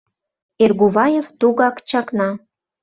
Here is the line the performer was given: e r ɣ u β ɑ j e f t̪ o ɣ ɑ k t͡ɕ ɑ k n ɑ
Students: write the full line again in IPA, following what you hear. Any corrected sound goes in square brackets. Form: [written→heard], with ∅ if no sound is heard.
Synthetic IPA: e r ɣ u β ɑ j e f t̪ [o→u] ɣ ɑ k t͡ɕ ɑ k n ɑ